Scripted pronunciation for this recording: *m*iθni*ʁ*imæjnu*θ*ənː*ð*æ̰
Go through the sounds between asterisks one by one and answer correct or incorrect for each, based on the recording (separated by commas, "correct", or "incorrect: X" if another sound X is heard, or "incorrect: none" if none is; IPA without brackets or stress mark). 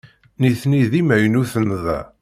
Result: incorrect: n, incorrect: ð, correct, correct